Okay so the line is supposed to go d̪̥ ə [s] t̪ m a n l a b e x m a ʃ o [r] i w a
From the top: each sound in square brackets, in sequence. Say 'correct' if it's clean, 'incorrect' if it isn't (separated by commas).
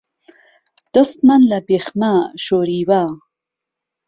correct, incorrect